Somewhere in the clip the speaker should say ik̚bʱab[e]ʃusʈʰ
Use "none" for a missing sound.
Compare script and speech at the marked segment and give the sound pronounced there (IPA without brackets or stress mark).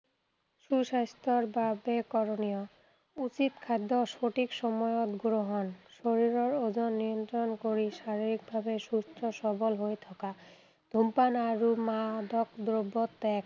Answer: e